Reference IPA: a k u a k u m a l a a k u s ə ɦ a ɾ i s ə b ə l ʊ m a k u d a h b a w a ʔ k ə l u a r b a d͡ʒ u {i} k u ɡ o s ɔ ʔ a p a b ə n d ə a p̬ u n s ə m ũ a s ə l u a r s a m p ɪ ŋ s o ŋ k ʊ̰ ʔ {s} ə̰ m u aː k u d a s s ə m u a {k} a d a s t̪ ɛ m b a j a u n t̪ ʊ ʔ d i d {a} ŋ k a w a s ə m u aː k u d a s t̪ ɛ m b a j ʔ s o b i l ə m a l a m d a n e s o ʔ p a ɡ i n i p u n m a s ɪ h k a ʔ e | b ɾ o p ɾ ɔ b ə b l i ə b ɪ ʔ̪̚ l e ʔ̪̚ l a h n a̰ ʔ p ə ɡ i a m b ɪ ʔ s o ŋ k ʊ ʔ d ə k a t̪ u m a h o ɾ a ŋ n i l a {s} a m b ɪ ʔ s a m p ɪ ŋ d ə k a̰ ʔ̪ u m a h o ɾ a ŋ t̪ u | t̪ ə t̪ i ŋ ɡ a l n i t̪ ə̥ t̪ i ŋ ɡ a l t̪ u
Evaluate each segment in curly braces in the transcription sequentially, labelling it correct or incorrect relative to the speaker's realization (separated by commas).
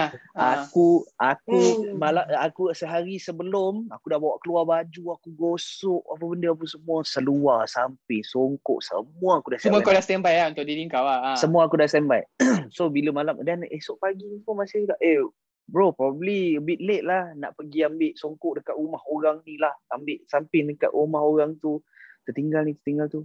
incorrect, correct, correct, incorrect, incorrect